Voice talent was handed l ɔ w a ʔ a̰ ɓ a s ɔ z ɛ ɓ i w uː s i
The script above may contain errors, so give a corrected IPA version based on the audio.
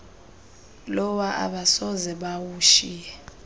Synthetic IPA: l ɔ w a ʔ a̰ ɓ a s ɔ z ɛ ɓ a w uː ʃ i